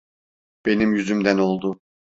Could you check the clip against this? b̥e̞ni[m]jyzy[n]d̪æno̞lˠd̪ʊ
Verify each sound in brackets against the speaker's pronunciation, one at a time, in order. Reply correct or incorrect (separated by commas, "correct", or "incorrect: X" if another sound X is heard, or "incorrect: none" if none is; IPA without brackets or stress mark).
correct, incorrect: m